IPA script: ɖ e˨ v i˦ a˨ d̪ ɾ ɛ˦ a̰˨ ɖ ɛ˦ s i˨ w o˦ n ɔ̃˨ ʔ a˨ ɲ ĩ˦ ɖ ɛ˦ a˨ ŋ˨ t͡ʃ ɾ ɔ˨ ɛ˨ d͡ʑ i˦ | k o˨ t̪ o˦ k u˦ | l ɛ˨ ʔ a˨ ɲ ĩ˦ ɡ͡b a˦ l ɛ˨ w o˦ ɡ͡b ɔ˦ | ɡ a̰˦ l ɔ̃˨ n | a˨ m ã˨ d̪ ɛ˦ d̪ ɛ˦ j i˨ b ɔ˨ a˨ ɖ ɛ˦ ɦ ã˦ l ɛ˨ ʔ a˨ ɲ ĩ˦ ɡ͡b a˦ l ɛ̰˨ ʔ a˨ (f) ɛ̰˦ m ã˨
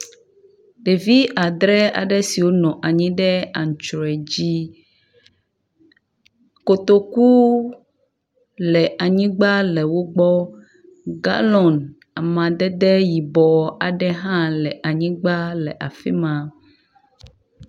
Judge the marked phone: correct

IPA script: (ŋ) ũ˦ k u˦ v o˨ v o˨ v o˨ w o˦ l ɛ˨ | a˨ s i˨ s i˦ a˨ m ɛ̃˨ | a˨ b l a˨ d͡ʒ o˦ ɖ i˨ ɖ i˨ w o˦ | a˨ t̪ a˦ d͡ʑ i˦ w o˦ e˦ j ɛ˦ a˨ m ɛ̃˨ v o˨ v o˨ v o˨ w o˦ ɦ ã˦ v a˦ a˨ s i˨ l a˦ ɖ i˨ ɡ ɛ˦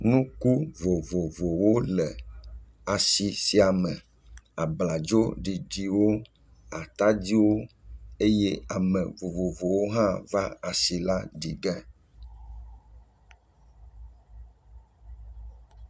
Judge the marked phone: incorrect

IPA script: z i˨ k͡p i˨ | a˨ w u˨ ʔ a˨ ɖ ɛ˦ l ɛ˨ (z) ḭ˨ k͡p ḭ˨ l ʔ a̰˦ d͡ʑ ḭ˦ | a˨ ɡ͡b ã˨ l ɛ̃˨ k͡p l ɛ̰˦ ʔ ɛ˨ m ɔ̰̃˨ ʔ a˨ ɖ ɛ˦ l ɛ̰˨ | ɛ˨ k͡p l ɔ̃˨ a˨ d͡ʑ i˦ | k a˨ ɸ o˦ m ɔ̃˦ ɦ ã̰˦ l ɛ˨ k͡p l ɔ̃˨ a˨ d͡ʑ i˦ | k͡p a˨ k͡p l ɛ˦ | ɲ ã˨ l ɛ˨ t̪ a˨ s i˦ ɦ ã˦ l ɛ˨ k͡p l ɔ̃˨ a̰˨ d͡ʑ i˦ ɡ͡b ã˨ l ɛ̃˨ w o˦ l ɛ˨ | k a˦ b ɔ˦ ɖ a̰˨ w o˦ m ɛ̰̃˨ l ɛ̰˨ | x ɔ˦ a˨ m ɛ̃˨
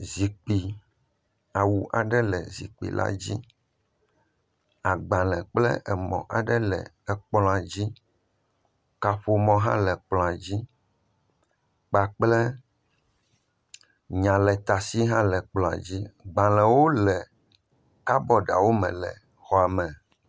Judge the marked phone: correct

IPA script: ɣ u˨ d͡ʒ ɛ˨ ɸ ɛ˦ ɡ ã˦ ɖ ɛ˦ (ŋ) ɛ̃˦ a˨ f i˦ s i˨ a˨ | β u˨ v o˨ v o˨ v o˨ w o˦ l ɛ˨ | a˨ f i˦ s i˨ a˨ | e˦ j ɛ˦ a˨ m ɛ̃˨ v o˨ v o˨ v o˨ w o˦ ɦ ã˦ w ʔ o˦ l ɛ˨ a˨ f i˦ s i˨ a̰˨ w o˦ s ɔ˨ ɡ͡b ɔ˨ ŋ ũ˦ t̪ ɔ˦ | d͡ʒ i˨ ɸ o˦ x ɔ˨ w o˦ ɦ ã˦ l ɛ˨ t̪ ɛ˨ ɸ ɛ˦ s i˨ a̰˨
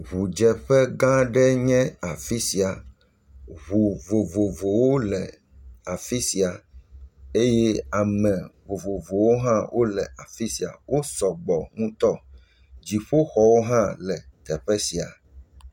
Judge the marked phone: incorrect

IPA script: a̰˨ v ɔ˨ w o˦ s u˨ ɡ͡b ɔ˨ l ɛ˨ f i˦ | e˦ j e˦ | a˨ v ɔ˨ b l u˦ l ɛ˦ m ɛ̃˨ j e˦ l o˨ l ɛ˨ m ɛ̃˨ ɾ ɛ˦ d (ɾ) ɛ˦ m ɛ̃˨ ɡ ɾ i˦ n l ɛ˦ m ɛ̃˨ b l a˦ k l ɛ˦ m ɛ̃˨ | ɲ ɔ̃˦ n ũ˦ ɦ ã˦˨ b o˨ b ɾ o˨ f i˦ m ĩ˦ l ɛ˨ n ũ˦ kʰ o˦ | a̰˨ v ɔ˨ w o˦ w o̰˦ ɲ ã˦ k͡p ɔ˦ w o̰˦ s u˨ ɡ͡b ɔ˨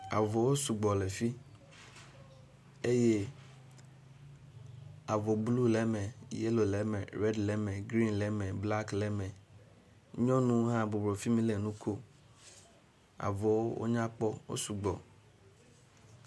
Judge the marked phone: incorrect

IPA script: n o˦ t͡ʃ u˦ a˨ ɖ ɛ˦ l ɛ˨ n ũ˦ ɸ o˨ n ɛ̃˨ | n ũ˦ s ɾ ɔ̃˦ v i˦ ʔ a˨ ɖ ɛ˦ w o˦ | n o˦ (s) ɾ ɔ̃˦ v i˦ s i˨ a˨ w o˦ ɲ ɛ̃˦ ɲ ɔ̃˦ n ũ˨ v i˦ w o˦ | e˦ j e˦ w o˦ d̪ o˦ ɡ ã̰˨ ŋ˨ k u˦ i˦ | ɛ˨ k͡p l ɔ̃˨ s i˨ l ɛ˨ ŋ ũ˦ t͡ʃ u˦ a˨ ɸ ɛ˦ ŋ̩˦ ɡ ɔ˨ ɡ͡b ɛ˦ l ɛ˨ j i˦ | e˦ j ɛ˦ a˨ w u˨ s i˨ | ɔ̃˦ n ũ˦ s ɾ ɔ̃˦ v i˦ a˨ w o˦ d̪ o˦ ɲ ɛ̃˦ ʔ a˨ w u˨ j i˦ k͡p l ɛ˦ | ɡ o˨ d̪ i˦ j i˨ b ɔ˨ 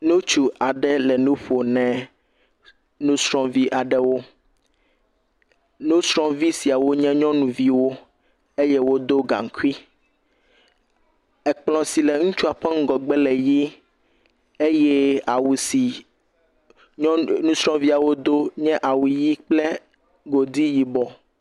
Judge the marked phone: correct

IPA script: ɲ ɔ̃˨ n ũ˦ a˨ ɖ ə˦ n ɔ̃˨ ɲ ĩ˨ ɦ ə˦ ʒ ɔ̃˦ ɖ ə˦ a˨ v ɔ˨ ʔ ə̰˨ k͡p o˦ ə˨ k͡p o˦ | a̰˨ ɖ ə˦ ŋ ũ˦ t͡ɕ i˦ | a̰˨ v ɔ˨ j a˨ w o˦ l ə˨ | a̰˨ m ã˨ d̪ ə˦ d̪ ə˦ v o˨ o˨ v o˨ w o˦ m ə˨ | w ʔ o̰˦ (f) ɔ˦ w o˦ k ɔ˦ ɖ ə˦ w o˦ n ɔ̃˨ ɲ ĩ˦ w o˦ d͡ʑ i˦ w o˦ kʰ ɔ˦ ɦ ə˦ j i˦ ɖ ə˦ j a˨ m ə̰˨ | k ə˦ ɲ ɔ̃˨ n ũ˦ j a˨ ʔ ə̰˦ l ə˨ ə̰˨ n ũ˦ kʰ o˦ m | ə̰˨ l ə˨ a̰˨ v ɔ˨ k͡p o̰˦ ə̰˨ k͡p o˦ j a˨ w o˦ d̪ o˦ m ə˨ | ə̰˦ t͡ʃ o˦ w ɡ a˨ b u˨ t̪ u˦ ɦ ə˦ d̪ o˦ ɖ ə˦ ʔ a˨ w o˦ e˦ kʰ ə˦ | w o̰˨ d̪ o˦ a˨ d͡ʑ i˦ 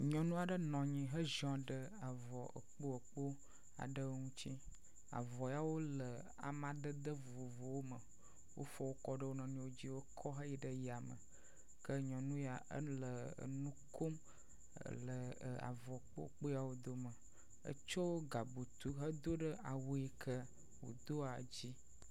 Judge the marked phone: correct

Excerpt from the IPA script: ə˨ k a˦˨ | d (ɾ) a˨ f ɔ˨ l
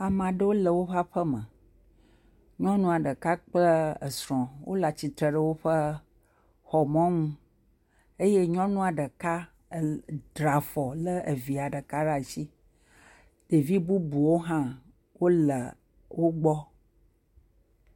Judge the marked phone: correct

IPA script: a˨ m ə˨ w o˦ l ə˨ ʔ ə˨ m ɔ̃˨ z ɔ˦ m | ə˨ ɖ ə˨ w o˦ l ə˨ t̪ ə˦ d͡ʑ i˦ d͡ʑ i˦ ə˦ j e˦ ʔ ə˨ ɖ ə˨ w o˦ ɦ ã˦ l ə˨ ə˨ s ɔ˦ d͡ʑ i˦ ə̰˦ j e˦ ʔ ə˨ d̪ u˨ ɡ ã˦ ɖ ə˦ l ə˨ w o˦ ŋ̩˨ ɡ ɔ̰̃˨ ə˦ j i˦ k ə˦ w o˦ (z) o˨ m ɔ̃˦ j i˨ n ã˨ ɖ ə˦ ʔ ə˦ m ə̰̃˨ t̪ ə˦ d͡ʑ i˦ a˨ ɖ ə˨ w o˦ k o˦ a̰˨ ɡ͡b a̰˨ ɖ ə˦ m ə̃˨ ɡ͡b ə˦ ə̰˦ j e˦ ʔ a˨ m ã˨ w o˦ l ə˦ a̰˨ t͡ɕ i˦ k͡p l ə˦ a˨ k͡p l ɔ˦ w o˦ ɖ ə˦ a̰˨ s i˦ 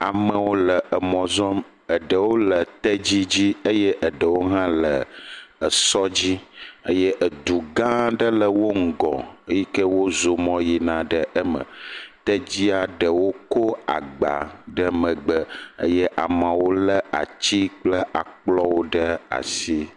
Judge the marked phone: correct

